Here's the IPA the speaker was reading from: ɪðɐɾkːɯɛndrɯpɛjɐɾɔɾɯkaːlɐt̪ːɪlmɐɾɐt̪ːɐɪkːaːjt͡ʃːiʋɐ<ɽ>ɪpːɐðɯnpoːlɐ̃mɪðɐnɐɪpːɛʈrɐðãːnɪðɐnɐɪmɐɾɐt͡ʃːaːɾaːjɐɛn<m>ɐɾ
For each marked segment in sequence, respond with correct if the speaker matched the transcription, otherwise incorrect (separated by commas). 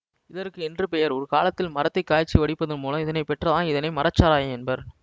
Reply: correct, incorrect